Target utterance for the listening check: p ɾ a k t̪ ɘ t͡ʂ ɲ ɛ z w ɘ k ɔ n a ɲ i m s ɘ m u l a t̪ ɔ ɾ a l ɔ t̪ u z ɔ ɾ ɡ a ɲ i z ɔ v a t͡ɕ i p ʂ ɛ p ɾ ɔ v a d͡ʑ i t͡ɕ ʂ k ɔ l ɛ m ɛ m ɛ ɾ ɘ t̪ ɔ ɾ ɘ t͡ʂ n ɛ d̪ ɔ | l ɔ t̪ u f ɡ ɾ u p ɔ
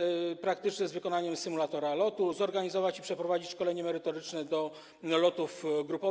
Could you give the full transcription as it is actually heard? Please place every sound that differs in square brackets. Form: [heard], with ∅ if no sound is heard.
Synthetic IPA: p ɾ a k t̪ ɘ t͡ʂ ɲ ɛ z [v] ɘ k ɔ n a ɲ [ɛ] m s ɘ m u l a t̪ ɔ ɾ a l ɔ t̪ u z ɔ ɾ ɡ a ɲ i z ɔ v a t͡ɕ i p ʂ ɛ p ɾ ɔ v a d͡ʑ i t͡ɕ ʂ k ɔ l ɛ [ɲ] ɛ m ɛ ɾ ɘ t̪ ɔ ɾ ɘ t͡ʂ n ɛ d̪ ɔ | l ɔ t̪ u f ɡ ɾ u p ɔ